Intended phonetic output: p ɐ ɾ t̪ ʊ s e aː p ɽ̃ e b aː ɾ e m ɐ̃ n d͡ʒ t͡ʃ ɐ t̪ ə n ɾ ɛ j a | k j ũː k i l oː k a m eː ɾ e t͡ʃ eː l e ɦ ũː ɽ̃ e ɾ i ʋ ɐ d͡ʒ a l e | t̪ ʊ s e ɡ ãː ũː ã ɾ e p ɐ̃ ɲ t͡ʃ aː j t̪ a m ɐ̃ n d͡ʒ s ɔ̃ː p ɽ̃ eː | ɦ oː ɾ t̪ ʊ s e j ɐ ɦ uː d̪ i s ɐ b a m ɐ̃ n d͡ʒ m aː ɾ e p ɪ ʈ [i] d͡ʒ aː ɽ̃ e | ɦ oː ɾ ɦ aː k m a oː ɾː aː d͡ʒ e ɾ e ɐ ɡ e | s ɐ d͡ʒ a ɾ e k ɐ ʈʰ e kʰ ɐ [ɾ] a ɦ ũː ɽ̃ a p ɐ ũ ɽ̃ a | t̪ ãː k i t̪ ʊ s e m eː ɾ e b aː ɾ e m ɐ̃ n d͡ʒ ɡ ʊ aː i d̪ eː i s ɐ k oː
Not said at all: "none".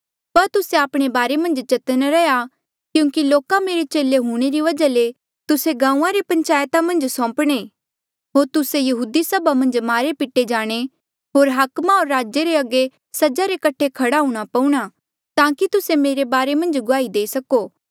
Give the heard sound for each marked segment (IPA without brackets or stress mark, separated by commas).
e, ɽ